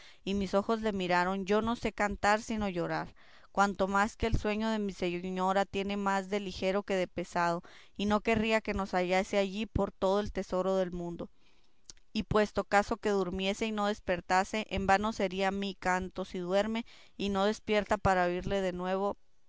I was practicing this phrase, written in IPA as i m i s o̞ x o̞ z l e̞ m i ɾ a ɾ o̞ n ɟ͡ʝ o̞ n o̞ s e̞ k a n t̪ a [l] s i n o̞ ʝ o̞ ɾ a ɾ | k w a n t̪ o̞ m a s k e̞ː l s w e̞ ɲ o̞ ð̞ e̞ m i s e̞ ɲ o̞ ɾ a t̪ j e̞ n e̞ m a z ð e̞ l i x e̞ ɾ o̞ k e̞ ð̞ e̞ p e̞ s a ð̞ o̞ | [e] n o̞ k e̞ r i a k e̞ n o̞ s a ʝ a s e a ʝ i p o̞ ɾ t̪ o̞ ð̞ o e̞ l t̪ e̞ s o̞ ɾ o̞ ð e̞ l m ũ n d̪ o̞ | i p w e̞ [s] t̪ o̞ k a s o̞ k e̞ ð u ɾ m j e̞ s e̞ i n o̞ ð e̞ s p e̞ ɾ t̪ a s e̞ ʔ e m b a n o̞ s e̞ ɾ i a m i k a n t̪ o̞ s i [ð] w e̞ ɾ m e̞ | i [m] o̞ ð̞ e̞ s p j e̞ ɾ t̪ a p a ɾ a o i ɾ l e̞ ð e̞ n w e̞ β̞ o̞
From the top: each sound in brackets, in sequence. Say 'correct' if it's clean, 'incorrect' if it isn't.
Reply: incorrect: ɾ, incorrect: i, correct, correct, incorrect: n

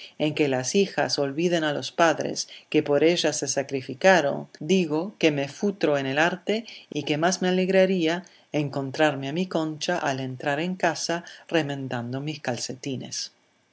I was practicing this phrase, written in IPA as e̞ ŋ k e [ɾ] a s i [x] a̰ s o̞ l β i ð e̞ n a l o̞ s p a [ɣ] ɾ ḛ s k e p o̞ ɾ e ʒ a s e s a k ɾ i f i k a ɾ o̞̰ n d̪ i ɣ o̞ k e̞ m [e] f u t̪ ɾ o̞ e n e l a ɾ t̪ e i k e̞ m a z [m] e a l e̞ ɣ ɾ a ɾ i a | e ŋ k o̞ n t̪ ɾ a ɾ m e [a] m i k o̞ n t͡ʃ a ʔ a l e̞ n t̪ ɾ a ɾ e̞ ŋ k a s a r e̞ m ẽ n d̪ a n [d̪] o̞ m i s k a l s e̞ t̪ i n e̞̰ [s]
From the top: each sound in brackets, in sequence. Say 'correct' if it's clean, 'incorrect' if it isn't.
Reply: incorrect: l, correct, incorrect: ð, correct, correct, correct, correct, correct

